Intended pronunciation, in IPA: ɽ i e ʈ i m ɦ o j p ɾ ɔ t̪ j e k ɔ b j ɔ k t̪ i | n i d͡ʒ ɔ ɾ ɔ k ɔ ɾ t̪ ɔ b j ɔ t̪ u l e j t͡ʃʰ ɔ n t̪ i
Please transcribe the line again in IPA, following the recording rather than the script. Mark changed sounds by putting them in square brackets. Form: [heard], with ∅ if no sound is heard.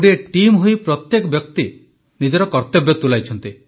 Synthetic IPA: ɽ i e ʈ i m ɦ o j p ɾ ɔ t̪ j e k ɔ b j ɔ k t̪ i | n i d͡ʒ ɔ ɾ ɔ k ɔ ɾ t̪ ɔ b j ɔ t̪ u l [a] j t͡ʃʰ ɔ n t̪ i